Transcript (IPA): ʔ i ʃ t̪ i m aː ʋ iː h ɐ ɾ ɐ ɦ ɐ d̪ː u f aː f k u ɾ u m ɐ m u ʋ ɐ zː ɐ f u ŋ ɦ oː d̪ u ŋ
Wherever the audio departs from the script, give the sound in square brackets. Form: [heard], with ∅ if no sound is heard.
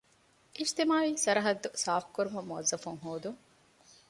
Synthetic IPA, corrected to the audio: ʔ i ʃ t̪ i m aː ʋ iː [s] ɐ ɾ ɐ ɦ ɐ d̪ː u [s] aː f k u ɾ u m ɐ m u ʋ ɐ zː ɐ f u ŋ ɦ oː d̪ u ŋ